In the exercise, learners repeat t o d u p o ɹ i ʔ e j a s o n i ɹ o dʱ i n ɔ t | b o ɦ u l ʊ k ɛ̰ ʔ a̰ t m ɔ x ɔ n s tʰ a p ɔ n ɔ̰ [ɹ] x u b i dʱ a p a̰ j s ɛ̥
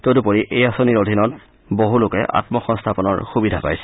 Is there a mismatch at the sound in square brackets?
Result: no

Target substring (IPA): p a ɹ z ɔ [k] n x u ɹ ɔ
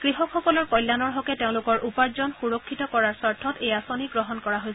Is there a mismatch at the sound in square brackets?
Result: yes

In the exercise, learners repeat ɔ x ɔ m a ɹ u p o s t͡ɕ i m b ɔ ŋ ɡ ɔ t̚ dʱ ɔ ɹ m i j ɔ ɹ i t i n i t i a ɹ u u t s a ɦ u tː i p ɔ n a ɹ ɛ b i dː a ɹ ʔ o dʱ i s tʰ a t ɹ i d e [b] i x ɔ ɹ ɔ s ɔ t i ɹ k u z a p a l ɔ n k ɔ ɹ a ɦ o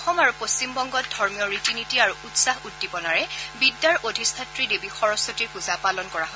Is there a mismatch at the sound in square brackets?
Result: no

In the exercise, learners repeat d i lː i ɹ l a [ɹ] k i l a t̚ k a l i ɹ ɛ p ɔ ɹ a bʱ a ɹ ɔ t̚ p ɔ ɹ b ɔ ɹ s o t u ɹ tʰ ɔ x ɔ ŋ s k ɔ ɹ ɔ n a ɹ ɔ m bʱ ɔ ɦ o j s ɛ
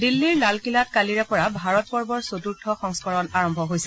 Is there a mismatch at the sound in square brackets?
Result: yes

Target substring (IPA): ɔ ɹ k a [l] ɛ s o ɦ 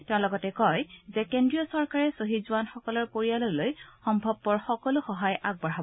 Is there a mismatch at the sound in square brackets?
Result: yes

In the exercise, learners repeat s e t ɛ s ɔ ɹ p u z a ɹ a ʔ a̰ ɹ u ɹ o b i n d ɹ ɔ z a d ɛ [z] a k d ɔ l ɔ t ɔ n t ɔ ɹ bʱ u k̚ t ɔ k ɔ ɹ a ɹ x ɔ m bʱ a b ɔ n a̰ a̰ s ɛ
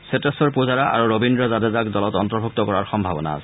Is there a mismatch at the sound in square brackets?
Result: no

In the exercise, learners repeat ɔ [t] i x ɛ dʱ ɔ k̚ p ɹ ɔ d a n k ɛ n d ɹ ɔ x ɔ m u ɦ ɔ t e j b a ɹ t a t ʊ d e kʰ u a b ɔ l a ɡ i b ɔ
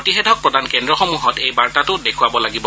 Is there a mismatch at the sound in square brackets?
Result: no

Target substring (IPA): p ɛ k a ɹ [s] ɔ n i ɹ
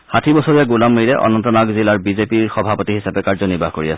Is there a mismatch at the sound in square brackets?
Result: yes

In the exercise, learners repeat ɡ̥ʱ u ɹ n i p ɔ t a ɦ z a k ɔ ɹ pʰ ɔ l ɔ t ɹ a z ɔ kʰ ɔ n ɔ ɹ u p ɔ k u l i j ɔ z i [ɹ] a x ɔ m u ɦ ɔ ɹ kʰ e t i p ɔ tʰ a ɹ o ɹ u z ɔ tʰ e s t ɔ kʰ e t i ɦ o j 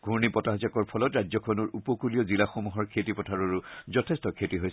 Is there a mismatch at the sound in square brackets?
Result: yes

